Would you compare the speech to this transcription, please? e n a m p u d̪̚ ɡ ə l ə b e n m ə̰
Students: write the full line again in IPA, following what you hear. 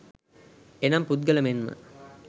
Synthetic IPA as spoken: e n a m p u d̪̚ ɡ ə l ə m e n m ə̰

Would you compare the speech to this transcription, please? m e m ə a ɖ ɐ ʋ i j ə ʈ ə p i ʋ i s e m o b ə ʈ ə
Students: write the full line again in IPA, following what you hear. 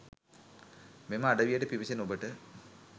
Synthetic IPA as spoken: m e m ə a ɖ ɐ ʋ i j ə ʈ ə p i ʋ i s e n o b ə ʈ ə

